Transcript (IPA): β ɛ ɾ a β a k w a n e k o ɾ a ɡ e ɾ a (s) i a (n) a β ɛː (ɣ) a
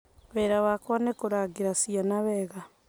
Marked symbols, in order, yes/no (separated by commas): yes, yes, yes